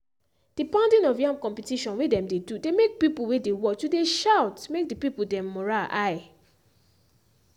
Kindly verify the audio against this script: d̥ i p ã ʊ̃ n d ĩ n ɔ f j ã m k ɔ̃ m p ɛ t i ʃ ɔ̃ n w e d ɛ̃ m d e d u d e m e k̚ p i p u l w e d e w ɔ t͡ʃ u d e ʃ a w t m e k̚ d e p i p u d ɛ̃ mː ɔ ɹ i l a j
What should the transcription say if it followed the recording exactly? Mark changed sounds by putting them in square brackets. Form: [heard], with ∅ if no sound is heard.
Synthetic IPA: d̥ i p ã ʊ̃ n d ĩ n ɔ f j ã m k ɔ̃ m p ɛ t i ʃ ɔ̃ n w e d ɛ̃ m d e d u d e m e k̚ p i p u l w e d e w ɔ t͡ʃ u d e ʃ a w t m e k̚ d [i] p i p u d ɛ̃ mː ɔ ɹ [a] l a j